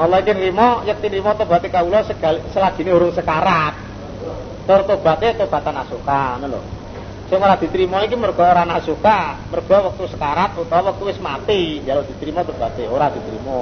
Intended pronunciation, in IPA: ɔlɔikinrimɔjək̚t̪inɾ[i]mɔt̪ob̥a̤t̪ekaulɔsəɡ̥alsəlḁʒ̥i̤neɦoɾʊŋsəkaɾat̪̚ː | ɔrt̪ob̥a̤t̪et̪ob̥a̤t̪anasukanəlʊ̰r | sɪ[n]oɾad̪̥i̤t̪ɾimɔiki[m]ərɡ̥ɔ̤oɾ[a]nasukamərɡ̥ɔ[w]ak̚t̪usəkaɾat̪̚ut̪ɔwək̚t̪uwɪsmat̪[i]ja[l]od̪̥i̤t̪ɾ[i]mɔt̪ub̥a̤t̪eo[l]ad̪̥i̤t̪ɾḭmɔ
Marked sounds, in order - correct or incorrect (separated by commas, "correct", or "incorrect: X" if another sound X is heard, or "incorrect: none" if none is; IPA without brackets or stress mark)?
correct, incorrect: ŋ, correct, correct, correct, correct, correct, correct, incorrect: ɾ